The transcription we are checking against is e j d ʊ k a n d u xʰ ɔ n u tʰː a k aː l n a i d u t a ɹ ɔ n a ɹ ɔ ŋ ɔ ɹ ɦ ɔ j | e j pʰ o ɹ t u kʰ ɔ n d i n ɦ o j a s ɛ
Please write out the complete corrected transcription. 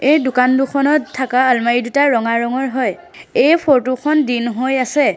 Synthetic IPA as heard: e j d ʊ k a n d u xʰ ɔ n ɔ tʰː a k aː l m a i d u t a ɹ ɔ ŋ a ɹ ɔ ŋ ɔ ɹ ɦ ɔ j | e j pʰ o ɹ t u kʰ ɔ n d i n ɦ o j a s ɛ